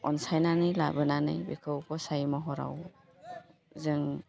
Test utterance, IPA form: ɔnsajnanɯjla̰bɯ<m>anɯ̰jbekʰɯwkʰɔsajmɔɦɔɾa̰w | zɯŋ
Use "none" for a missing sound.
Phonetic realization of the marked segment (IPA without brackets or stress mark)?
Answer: n